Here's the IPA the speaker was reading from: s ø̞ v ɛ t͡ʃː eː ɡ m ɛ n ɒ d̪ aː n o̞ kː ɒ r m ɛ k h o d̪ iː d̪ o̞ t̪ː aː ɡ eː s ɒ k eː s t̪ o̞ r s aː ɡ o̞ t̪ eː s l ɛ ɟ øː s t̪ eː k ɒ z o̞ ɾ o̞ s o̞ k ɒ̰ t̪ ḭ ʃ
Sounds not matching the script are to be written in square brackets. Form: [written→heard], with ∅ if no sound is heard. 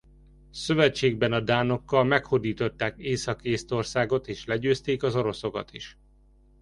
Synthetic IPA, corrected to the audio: s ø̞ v ɛ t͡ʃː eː ɡ [m→b] ɛ n ɒ d̪ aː n o̞ kː ɒ [r→l] m ɛ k h o d̪ iː [d̪→t̪] o̞ t̪ː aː [ɡ→k] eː s ɒ k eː s t̪ o̞ r s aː ɡ o̞ t̪ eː [s→ʃ] l ɛ ɟ øː s t̪ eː k ɒ z o̞ ɾ o̞ s o̞ k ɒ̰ t̪ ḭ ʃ